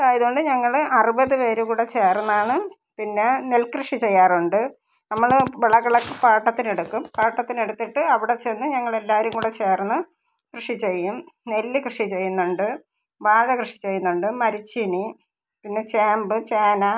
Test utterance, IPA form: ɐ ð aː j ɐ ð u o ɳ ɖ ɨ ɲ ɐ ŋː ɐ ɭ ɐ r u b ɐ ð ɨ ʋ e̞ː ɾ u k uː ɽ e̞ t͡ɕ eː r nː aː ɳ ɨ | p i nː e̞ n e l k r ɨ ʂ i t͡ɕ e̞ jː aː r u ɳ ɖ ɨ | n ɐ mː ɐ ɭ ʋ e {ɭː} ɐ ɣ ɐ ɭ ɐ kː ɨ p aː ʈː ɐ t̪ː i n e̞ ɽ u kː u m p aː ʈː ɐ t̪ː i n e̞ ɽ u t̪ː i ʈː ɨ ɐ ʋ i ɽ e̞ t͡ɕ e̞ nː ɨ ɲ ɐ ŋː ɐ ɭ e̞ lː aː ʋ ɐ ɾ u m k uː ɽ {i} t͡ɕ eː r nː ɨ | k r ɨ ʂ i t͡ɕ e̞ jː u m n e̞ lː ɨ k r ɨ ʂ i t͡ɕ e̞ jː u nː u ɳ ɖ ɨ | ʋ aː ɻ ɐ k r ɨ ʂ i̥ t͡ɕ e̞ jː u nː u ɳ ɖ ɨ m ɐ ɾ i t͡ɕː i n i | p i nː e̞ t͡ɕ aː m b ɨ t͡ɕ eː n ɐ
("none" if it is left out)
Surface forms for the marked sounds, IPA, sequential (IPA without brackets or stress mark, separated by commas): ɭ, e